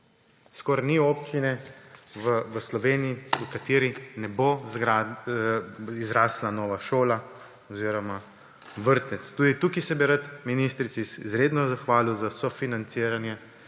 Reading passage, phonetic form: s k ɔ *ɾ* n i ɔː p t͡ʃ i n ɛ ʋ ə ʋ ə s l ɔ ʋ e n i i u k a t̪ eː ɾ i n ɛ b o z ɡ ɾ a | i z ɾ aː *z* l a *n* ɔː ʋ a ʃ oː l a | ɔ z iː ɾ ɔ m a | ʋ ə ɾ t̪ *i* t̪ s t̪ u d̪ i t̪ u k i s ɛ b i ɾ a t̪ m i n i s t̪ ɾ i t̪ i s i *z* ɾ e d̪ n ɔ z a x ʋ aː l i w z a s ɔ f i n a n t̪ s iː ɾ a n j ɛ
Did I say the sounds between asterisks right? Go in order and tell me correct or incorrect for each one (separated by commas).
correct, incorrect, correct, incorrect, correct